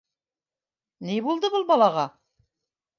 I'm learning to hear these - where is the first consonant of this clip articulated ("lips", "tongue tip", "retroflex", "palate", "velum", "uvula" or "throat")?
tongue tip